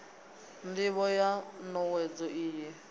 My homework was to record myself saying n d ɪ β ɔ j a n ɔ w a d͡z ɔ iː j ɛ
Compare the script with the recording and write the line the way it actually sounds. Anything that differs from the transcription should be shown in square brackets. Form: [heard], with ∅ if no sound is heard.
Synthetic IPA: n d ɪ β ɔ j a n ɔ w [ɛ] d͡z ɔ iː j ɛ